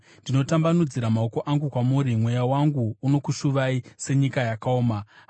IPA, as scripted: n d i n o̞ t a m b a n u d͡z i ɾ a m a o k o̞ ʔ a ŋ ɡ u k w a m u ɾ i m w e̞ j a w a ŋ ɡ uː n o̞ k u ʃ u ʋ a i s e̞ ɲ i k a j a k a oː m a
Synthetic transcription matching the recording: n d i n o̞ t a m b a n u d͡z i ɾ a m a o k o̞ ʔ a ŋ ɡ u k w a m u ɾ i m w e̞ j a w a ŋ ɡ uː n o̞ k u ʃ u ʋ a i s e̞ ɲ i k a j a k a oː m a